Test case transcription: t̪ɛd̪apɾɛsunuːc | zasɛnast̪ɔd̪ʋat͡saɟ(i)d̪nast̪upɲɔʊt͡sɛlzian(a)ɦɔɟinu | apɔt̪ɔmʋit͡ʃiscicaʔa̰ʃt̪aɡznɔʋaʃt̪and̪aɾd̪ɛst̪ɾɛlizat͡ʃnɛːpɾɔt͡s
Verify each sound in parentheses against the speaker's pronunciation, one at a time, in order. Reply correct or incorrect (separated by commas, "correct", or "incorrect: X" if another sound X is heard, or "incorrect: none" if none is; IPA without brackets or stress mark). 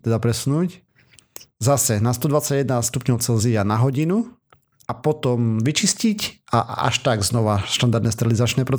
incorrect: ɛ, correct